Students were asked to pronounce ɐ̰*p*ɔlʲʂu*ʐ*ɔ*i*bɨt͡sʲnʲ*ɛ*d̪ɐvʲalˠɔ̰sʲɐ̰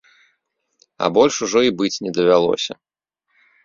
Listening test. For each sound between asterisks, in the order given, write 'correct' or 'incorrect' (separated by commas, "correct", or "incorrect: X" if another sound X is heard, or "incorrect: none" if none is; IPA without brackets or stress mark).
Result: incorrect: b, correct, correct, correct